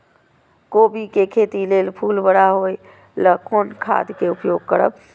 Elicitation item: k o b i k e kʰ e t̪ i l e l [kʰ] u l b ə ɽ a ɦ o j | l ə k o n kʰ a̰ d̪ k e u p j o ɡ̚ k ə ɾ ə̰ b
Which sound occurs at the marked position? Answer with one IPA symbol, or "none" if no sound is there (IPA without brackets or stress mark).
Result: pʰ